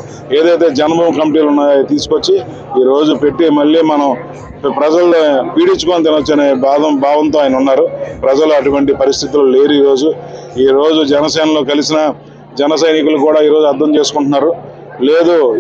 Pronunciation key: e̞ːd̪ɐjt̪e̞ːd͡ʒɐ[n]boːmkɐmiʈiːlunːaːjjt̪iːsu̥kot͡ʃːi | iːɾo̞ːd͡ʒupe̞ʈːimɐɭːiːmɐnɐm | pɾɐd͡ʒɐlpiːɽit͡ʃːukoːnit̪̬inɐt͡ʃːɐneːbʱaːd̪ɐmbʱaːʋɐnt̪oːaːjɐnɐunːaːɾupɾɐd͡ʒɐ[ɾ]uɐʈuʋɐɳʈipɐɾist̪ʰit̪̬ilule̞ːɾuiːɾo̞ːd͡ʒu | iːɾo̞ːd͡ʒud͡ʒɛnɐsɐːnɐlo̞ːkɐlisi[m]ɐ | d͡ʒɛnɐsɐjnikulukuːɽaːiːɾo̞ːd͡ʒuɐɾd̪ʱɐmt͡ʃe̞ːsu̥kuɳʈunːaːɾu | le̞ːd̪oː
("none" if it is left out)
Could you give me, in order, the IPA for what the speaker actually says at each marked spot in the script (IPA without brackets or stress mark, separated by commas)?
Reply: n, l, n